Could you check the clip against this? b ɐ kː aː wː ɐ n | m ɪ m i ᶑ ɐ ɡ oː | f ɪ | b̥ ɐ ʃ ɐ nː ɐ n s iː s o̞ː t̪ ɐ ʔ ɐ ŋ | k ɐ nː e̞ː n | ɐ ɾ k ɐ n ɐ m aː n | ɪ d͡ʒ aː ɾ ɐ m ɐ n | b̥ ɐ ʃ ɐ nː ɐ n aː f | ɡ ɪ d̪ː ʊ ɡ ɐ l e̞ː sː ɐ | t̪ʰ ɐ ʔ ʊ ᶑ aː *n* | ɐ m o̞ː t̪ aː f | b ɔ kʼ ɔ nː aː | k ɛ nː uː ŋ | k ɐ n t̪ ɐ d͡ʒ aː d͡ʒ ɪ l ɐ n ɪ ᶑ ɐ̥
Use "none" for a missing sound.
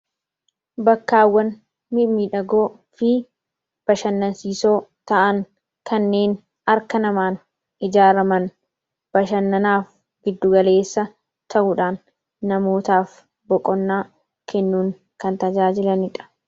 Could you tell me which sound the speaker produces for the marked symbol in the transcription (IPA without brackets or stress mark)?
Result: nː